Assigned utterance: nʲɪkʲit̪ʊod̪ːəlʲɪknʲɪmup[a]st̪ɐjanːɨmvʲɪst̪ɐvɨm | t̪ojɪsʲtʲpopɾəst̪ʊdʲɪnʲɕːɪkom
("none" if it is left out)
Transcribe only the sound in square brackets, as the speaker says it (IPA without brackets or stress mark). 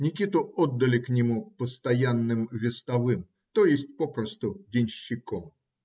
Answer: ə